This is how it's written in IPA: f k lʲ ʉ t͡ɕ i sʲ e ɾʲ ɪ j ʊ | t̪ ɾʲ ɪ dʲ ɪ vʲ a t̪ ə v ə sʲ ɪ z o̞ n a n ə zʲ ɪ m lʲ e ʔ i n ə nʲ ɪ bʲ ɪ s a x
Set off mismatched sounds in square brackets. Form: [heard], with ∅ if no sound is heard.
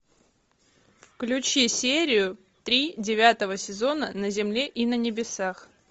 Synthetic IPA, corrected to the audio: f k lʲ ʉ t͡ɕ i sʲ e ɾʲ ɪ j ʊ | t̪ ɾʲ [i] dʲ ɪ vʲ a t̪ ə v ə sʲ ɪ z o̞ n [ə] n ə zʲ ɪ m lʲ e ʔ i n ə nʲ ɪ bʲ ɪ s a x